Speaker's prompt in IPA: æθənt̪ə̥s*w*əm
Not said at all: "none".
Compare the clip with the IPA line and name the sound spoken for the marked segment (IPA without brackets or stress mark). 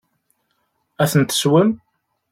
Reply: w